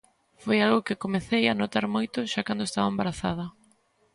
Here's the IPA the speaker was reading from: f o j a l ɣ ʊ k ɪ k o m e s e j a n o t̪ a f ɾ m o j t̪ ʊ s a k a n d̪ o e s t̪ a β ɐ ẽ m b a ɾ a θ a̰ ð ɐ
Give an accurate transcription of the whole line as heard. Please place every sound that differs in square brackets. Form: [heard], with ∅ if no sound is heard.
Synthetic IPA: f o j a l ɣ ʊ k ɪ k o m e [θ] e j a n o t̪ a [∅] ɾ m o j t̪ ʊ [ʃ] a k a n d̪ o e s t̪ a β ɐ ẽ m b a ɾ a θ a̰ ð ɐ